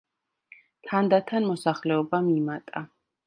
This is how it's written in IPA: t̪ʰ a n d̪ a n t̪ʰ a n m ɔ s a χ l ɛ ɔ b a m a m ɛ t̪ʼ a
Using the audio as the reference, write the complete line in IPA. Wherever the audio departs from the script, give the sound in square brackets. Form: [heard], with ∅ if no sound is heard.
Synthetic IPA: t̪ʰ a n d̪ a [∅] t̪ʰ a n m ɔ s a χ l ɛ ɔ b a m [i] m [a] t̪ʼ a

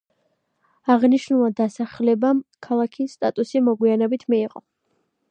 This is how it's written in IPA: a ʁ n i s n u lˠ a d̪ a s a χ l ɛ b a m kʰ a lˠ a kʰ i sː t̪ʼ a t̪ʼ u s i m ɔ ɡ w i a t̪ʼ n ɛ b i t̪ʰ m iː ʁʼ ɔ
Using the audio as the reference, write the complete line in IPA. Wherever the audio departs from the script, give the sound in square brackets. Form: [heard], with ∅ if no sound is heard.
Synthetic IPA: a ʁ n i [ʃ] n u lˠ a d̪ a s a χ l ɛ b a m kʰ a lˠ a kʰ i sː t̪ʼ a t̪ʼ u s i m ɔ ɡ w i a [∅] n ɛ b i t̪ʰ m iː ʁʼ ɔ

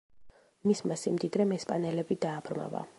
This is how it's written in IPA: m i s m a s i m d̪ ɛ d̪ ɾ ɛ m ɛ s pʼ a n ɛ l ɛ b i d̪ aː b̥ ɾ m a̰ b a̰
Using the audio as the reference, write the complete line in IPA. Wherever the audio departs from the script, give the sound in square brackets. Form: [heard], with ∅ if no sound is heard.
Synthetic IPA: m i s m a s i m d̪ [i] d̪ ɾ ɛ m ɛ s pʼ a n ɛ l ɛ b i d̪ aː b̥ ɾ m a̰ [v] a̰

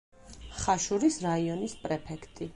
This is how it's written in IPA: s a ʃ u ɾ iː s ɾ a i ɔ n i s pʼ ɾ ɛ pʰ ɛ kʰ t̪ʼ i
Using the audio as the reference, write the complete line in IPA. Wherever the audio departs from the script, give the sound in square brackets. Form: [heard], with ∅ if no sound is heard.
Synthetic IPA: [χ] a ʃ u ɾ [i] s ɾ a i ɔ n i s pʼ ɾ ɛ pʰ ɛ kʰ t̪ʼ i

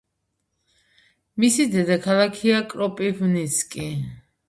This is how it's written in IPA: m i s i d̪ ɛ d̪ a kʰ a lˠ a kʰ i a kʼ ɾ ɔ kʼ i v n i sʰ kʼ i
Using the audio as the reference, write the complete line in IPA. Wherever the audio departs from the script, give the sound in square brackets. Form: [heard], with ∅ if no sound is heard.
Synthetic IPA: m i s i d̪ ɛ d̪ a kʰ a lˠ a kʰ i a kʼ ɾ ɔ [pʼ] i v n i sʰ kʼ i

